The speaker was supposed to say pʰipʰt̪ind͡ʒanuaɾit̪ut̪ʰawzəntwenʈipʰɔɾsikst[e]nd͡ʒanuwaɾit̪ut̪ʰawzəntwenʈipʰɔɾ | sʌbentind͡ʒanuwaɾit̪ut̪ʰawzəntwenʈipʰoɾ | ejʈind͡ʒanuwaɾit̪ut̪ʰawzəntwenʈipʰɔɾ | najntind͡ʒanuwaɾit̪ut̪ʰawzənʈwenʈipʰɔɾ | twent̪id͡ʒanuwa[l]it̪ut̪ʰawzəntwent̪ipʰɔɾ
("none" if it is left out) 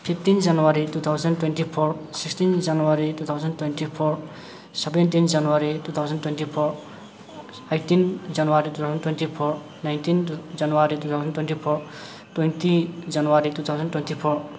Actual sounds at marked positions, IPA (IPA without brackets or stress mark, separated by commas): i, ɾ